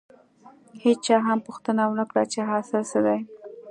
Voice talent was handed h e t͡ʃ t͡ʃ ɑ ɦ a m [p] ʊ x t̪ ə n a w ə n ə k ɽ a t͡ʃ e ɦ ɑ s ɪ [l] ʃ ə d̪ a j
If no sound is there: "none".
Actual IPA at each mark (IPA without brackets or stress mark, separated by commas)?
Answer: p, l